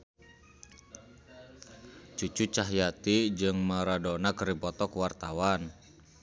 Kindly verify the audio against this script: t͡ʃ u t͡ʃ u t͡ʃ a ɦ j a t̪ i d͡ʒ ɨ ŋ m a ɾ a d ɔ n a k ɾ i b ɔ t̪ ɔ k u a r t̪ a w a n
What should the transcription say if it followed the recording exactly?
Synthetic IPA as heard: t͡ʃ u t͡ʃ u t͡ʃ a ɦ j a t̪ i d͡ʒ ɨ ŋ m a ɾ a d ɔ n a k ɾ i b ɔ t̪ ɔ k w a r t̪ a w a n